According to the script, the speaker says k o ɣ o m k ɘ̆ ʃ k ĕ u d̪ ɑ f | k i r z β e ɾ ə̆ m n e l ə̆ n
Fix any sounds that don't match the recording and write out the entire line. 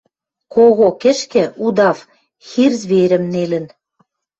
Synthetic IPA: k o ɣ o k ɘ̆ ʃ k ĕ u d̪ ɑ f | x i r z β e ɾ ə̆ m n e l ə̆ n